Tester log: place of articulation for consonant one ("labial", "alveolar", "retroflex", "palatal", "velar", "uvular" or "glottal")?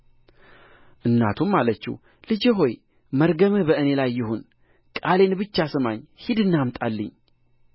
glottal